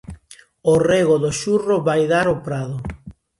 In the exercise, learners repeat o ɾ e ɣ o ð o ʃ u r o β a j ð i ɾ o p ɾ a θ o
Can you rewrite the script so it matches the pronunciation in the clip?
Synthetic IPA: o r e ɣ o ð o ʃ u r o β a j ð a ɾ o p ɾ a ð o